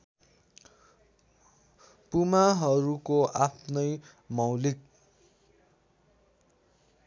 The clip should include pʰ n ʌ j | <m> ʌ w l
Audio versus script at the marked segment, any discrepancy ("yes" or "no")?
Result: no